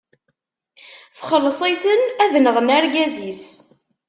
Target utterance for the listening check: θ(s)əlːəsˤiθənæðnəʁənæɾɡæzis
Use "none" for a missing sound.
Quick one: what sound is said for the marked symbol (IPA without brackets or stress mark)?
χ